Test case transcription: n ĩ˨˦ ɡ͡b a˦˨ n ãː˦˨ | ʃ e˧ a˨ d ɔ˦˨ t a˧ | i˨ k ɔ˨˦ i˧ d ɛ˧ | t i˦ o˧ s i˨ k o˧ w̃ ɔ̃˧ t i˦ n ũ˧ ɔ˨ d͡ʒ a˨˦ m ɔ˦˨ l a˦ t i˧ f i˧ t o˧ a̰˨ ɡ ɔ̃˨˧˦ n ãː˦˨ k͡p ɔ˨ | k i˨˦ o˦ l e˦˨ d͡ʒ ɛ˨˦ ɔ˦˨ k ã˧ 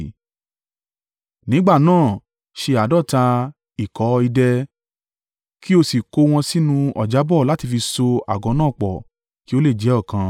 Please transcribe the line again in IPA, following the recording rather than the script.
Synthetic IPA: n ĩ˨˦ ɡ͡b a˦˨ n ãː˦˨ | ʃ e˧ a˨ d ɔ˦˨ t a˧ | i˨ k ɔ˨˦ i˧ d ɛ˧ | k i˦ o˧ s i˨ k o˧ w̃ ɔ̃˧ s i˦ n ũ˧ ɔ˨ d͡ʒ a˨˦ b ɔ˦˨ l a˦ t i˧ f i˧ s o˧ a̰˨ ɡ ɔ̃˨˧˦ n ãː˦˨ k͡p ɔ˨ | k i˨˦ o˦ l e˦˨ d͡ʒ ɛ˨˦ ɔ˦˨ k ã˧